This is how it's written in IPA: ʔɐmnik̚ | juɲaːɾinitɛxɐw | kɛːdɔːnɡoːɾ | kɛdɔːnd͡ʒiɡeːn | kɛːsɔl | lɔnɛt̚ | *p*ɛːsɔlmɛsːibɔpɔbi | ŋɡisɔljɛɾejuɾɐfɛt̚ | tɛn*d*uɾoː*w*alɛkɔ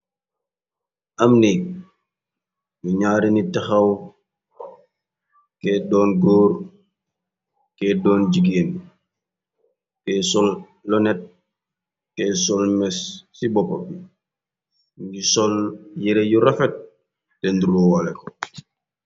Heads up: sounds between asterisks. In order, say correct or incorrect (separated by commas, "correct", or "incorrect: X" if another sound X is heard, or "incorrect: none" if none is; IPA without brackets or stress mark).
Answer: incorrect: k, correct, correct